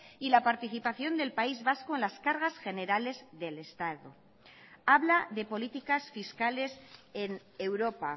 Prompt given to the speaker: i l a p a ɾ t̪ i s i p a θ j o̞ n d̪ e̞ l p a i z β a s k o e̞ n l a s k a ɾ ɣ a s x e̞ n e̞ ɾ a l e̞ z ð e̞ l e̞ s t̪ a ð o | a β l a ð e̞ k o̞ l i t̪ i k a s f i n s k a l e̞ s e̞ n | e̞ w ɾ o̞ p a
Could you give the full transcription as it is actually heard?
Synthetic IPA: i l a p a ɾ t̪ i θ i p a θ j o̞ n d̪ e̞ l p a i z β a s k o e̞ n l a s k a ɾ ɣ a s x e̞ n e̞ ɾ a l e̞ z ð e̞ l e̞ s t̪ a ð o | a β l a ð e̞ p o̞ l i t̪ i k a s f i s k a l e̞ s e̞ n | e̞ w ɾ o̞ p a

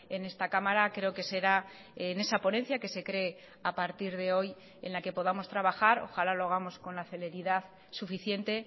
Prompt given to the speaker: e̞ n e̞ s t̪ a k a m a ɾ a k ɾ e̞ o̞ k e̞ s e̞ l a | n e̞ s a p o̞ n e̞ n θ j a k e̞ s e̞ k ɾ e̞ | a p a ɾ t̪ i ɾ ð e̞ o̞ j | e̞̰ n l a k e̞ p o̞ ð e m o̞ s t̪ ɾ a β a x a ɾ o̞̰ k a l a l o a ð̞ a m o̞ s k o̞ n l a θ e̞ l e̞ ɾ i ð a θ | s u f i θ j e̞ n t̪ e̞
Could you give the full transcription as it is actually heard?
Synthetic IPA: e̞ n e̞ s t̪ a k a m a ɾ a k ɾ e̞ o̞ k e̞ s e̞ ɾ a | n e̞ s a p o̞ n e̞ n θ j a k e̞ s e̞ k ɾ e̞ | a p a ɾ t̪ i ɾ ð e̞ o̞ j | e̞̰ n l a k e̞ p o̞ ð a m o̞ s t̪ ɾ a β a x a ɾ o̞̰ x a l a l o a ɣ̞ a m o̞ s k o̞ n l a θ e̞ l e̞ ɾ i ð a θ | s u f i θ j e̞ n t̪ e̞

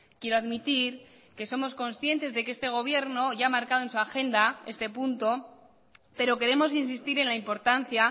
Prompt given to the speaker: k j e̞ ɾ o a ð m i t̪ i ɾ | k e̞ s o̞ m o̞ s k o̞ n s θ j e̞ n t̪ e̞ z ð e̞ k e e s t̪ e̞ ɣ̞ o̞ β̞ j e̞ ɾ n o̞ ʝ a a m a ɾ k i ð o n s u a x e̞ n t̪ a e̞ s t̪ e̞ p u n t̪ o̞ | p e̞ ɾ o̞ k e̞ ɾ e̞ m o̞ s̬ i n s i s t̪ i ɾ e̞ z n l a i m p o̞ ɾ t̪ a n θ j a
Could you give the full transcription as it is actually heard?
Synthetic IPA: k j e̞ ɾ o a ð m i t̪ i ɾ | k e̞ s o̞ m o̞ s k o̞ n s θ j e̞ n t̪ e̞ z ð e̞ k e e s t̪ e̞ ɣ̞ o̞ β̞ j e̞ ɾ n o̞ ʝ a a m a ɾ k a ð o n s u a x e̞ n d̪ a e̞ s t̪ e̞ p u n t̪ o̞ | p e̞ ɾ o̞ k e̞ ɾ e̞ m o̞ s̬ i n s i s t̪ i ɾ e̞ n l a i m p o̞ ɾ t̪ a n θ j a

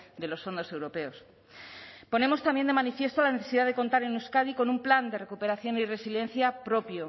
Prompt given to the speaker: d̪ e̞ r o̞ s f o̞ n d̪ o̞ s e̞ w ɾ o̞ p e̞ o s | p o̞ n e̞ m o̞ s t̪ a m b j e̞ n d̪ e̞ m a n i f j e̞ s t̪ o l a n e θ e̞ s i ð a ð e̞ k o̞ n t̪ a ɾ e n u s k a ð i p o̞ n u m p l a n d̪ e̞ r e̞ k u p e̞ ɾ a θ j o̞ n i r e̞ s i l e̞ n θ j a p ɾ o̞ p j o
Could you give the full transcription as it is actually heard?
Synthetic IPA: d̪ e̞ l o̞ s f o̞ n d̪ o̞ s e̞ w ɾ o̞ p e̞ o s | p o̞ n e̞ m o̞ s t̪ a m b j e̞ n d̪ e̞ m a n i f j e̞ s t̪ o l a n e θ e̞ s i ð a ð e̞ k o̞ n t̪ a ɾ e n u s k a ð i k o̞ n u m p l a n d̪ e̞ r e̞ k u p e̞ ɾ a θ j o̞ n i r e̞ s i l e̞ n θ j a p ɾ o̞ p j o

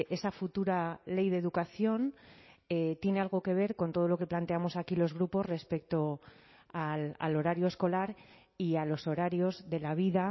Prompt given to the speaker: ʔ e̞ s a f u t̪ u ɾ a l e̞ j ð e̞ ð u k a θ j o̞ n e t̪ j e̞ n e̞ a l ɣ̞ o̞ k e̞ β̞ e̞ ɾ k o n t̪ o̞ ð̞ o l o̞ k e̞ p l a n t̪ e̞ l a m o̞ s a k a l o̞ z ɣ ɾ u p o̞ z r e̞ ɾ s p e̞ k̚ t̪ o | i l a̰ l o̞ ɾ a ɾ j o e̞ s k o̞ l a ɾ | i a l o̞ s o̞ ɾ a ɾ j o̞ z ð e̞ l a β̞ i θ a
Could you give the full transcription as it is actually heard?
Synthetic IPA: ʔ e̞ s a f u t̪ u ɾ a l e̞ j ð e̞ ð u k a θ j o̞ n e t̪ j e̞ n e̞ a l ɣ̞ o̞ k e̞ β̞ e̞ ɾ k o n t̪ o̞ ð̞ o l o̞ k e̞ p l a n t̪ e̞ a m o̞ s a k i l o̞ z ɣ ɾ u p o̞ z r e̞ s p e̞ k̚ t̪ o | a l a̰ l o̞ ɾ a ɾ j o e̞ s k o̞ l a ɾ | i a l o̞ s o̞ ɾ a ɾ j o̞ z ð e̞ l a β̞ i ð a

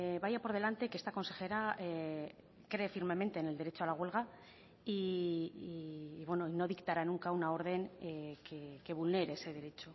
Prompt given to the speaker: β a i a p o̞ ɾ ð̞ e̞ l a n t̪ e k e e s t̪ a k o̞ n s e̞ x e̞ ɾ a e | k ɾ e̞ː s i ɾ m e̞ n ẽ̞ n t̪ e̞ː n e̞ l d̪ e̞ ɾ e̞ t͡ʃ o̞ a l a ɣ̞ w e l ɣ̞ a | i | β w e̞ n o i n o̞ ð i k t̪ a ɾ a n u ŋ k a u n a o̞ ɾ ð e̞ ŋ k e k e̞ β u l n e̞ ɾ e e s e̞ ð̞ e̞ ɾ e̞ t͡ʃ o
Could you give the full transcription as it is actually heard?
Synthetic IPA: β a j a p o̞ ɾ ð̞ e̞ l a n t̪ e k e e s t̪ a k o̞ n s e̞ x e̞ ɾ a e | k ɾ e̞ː f i ɾ m e̞ m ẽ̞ n t̪ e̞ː n e̞ l d̪ e̞ ɾ e̞ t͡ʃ o̞ a l a ɣ̞ w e l ɣ̞ a | i | β w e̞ n o i n o̞ ð i k t̪ a ɾ a n u ŋ k a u n a o̞ ɾ ð e̞ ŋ k e k e̞ β u l n e̞ ɾ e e s e̞ ð̞ e̞ ɾ e̞ t͡ʃ o

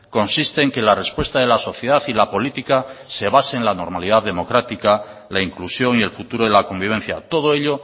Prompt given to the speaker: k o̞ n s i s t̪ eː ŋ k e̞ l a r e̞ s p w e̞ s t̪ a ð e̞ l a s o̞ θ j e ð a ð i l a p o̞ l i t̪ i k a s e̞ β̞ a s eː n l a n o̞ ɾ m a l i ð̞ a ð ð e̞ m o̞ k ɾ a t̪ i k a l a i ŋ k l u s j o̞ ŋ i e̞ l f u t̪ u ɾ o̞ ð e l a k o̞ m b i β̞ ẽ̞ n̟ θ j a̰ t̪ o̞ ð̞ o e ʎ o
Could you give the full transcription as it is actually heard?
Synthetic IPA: k o̞ n s i s t̪ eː ŋ k e̞ l a r e̞ s p w e̞ s t̪ a ð e̞ l a s o̞ θ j e ð a θ i l a p o̞ l i t̪ i k a s e̞ β̞ a s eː n l a n o̞ ɾ m a l i ð̞ a ð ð e̞ m o̞ k ɾ a t̪ i k a l a i ŋ k l u s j o̞ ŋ i e̞ l f u t̪ u ɾ o̞ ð e l a k o̞ m b i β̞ e̞ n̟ θ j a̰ t̪ o̞ ð̞ o e ʎ o

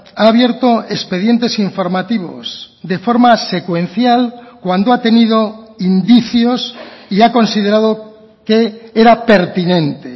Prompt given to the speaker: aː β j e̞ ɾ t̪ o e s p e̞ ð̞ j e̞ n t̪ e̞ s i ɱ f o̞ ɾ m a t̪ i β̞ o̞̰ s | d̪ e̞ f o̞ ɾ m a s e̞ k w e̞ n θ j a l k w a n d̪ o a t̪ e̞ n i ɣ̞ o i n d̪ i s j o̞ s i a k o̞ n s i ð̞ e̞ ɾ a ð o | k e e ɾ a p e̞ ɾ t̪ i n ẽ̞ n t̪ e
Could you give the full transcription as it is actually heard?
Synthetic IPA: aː β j e̞ ɾ t̪ o e s p e̞ ð̞ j e̞ n t̪ e̞ s i ɱ f o̞ ɾ m a t̪ i β̞ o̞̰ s | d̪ e̞ f o̞ ɾ m a s e̞ k w e̞ n θ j a l k w a n d̪ o a t̪ e̞ n i ð̞ o i n d̪ i θ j o̞ s i a k o̞ n s i ð̞ e̞ ɾ a ð o | k e e ɾ a p e̞ ɾ t̪ i n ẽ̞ n t̪ e

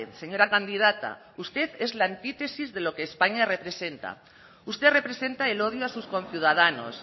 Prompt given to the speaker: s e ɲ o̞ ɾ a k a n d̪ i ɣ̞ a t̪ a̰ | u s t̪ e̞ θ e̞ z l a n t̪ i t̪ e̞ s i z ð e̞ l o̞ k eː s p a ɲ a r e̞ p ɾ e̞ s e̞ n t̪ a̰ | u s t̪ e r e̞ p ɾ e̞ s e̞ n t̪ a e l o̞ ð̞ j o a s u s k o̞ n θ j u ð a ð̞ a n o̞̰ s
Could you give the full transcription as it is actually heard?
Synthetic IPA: s e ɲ o̞ ɾ a k a n d̪ i ð̞ a t̪ a̰ | u s t̪ e̞ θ e̞ z l a n t̪ i t̪ e̞ s i z ð e̞ l o̞ k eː s p a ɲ a r e̞ p ɾ e̞ s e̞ n t̪ a̰ | u s t̪ e r e̞ p ɾ e̞ s e̞ n t̪ a e l o̞ ð̞ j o a s u s k o̞ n θ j u ð a ð̞ a n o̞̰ s

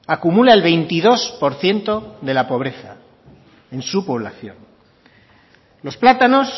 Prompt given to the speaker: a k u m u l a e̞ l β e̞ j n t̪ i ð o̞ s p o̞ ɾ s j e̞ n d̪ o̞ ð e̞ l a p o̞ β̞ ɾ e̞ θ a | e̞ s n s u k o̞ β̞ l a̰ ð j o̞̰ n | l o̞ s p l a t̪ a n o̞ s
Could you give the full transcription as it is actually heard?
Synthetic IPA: a k u m u l a e̞ l β e̞ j n t̪ i ð o̞ s p o̞ ɾ θ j e̞ n t̪ o̞ ð e̞ l a p o̞ β̞ ɾ e̞ θ a | e̞ n s u p o̞ β̞ l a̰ θ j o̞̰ n | l o̞ s p l a t̪ a n o̞ s

